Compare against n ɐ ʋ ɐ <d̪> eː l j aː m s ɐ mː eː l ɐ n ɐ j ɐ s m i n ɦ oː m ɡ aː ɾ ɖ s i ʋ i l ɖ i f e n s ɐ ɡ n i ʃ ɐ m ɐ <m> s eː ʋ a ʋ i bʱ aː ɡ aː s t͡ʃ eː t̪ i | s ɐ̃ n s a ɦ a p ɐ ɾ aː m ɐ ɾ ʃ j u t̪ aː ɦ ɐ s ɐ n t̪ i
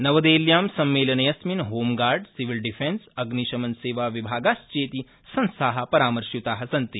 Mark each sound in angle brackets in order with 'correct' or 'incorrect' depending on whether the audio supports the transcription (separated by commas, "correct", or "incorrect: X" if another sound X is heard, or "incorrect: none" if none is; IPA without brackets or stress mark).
correct, incorrect: n